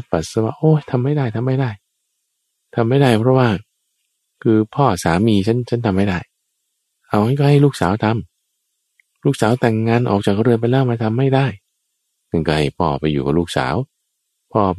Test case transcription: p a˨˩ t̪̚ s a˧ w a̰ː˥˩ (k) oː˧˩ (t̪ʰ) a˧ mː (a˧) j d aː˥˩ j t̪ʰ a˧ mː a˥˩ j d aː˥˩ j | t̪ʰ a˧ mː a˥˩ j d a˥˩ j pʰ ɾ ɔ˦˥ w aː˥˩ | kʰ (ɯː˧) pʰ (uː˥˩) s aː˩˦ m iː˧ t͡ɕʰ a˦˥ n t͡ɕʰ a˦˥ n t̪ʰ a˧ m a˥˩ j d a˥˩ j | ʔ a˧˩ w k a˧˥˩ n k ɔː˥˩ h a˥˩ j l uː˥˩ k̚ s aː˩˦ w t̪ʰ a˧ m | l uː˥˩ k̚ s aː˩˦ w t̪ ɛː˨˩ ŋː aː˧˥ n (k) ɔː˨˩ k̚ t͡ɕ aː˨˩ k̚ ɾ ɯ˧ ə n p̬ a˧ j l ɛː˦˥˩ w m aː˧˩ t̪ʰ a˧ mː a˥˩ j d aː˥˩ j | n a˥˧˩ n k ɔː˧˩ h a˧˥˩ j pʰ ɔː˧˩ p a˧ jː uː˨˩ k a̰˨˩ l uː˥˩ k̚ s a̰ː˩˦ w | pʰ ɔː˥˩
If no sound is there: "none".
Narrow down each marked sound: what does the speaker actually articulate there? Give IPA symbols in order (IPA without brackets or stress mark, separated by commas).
ʔ, t̪ʰ, a˥˩, ɯː˧, ɔː˥˩, ʔ